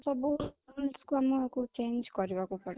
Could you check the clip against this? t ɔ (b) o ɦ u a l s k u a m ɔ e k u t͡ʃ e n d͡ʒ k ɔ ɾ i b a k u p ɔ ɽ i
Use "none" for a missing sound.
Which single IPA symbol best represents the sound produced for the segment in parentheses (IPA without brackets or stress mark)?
b